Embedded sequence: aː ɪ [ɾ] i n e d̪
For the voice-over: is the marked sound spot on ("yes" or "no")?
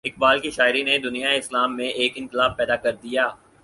yes